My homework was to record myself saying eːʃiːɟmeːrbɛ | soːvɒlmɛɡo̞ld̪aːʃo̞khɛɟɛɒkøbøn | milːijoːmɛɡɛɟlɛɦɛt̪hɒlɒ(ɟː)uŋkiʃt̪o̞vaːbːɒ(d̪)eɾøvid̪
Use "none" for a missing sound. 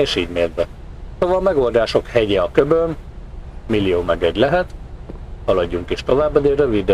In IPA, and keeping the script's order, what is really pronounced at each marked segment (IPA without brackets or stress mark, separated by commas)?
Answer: ɟː, d̪